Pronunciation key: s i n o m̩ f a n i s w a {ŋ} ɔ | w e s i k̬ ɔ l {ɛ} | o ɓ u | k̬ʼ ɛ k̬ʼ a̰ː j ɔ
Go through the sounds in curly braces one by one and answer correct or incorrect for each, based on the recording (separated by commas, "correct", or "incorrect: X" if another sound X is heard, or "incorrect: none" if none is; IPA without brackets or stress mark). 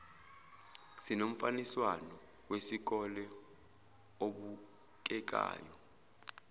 incorrect: n, correct